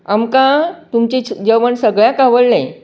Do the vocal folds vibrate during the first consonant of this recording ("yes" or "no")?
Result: yes